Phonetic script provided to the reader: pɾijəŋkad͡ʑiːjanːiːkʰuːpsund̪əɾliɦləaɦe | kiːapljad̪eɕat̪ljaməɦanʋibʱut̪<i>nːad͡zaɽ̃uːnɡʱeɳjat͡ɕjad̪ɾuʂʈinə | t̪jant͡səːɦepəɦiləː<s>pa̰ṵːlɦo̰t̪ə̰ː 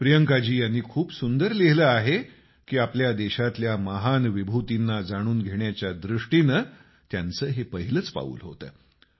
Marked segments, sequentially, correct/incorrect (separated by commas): correct, incorrect